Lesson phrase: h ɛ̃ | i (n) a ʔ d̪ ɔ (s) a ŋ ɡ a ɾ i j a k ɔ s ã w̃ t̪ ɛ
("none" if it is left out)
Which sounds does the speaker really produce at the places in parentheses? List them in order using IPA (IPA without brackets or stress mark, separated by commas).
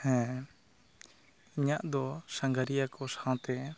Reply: ɲ, s